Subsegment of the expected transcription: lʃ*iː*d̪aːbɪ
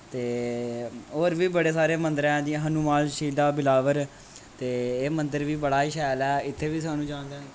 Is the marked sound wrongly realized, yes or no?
no